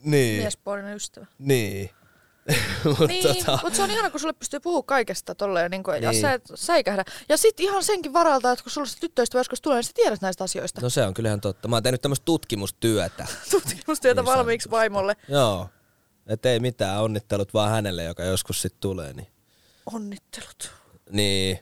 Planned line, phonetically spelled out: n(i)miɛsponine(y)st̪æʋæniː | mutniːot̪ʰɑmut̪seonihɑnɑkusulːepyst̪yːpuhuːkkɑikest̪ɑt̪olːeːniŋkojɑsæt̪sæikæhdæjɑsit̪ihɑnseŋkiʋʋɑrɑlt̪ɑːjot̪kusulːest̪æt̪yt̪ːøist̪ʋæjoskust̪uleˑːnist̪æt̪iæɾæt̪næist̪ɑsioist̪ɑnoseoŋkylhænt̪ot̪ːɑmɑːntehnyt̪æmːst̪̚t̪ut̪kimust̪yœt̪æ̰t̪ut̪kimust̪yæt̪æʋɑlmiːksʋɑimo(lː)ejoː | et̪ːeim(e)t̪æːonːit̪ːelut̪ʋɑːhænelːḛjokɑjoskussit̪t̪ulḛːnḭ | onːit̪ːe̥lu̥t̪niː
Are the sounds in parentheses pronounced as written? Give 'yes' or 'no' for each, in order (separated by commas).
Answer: no, yes, yes, no